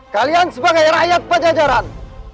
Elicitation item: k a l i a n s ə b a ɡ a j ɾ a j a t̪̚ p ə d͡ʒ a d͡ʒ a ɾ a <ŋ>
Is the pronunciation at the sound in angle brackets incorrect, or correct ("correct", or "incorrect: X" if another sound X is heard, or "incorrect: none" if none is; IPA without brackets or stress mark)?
incorrect: n